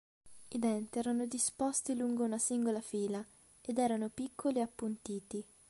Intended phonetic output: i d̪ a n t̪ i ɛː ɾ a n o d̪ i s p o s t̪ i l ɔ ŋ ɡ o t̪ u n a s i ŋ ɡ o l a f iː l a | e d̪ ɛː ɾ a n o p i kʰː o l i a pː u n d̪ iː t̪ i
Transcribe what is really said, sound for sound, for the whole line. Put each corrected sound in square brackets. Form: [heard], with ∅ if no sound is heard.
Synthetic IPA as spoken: i d̪ [ɛ] n t̪ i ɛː ɾ a n o d̪ i s p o s t̪ i l [u] ŋ ɡ o [∅] u n a s i ŋ ɡ o l a f iː l a | e d̪ ɛː ɾ a n o p i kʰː o l i a pː u n [t̪] iː t̪ i